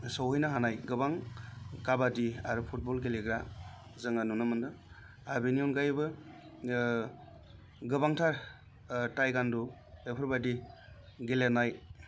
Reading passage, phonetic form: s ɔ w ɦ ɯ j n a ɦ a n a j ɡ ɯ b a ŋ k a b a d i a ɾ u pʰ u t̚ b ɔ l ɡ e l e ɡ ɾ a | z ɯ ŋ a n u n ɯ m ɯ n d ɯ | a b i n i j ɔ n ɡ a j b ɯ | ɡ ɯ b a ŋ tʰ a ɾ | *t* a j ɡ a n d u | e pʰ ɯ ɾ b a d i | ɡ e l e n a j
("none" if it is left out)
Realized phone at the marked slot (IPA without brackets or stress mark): t